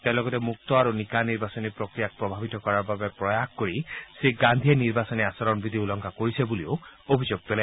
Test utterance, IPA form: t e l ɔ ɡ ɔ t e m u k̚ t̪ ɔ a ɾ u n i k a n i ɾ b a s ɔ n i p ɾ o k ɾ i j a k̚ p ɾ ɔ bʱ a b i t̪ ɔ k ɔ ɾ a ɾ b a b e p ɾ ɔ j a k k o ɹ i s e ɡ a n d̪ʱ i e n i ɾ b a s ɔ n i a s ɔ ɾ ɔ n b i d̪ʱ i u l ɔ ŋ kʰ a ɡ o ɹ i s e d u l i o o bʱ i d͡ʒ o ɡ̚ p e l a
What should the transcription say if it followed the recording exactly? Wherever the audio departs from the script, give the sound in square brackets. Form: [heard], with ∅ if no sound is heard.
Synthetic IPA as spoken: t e l ɔ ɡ ɔ t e m u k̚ t̪ ɔ a ɾ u n i k a n i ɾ b a s ɔ n i p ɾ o k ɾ i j a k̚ p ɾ ɔ bʱ a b i t̪ ɔ k ɔ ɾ a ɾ b a b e p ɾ ɔ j a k k o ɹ i s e ɡ a n d̪ʱ i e n i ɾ b a s ɔ n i a s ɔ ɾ ɔ n b i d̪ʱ i u l ɔ ŋ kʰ a [k] o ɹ i s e [b] u l i o o bʱ i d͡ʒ o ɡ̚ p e l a

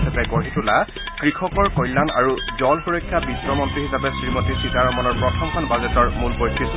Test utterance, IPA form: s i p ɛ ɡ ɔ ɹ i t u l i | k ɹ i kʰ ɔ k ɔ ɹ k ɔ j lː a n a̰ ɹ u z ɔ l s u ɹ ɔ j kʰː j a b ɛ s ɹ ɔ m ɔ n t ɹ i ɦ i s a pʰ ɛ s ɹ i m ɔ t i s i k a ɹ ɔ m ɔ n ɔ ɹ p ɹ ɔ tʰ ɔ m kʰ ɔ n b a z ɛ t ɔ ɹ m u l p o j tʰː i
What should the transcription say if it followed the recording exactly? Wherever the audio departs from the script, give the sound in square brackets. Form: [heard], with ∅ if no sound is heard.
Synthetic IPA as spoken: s [a] p ɛ ɡ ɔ ɹ i t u l [a] | k ɹ i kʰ ɔ k ɔ ɹ k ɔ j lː a n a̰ ɹ u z ɔ l [x] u ɹ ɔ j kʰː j a b [i] s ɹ ɔ m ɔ n t ɹ i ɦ i s a [p] ɛ s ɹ i m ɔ t i s i k a ɹ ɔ m ɔ n ɔ ɹ p ɹ ɔ tʰ ɔ m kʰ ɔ n b a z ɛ t ɔ ɹ m u l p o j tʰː i

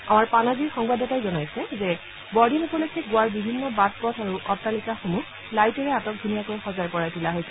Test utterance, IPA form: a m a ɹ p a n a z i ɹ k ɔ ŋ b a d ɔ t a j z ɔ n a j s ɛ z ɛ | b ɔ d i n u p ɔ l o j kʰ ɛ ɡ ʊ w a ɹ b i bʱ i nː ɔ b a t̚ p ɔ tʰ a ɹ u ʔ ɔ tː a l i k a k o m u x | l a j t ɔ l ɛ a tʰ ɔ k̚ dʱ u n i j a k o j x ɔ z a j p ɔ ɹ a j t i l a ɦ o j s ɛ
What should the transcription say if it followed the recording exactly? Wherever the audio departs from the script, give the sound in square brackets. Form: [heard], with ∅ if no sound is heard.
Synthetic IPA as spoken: a m a ɹ p a n a z i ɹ [x] ɔ ŋ b a d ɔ t a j z ɔ n a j s ɛ z ɛ | b ɔ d i n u p ɔ l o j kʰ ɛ ɡ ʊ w a ɹ b i bʱ i nː ɔ b a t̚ p ɔ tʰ a ɹ u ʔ ɔ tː a l i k a [x] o m u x | l a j t ɔ [ɹ] ɛ a [t] ɔ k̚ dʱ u n i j a k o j x ɔ z a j p ɔ ɹ a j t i l a ɦ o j s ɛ

